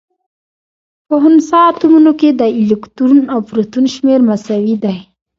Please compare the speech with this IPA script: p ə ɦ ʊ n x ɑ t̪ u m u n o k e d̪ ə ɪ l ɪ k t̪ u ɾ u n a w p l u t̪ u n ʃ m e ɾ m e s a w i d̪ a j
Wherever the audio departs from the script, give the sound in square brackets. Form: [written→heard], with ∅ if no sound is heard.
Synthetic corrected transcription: p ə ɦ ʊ n [x→s] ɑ t̪ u m u n o k e d̪ ə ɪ l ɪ k t̪ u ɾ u n a w p [l→ɾ] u t̪ u n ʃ m e ɾ m [e→a] s a w i d̪ a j